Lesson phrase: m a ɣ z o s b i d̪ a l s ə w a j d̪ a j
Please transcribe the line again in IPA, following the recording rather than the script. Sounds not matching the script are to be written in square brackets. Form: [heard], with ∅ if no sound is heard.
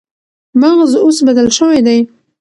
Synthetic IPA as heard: m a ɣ z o s b [a] d̪ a l [ʃ] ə w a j d̪ a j